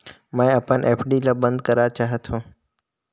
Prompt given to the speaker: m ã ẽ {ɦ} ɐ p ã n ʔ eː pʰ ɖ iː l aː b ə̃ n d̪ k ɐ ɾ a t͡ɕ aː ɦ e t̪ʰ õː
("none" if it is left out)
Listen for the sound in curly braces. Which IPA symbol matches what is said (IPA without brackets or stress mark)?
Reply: none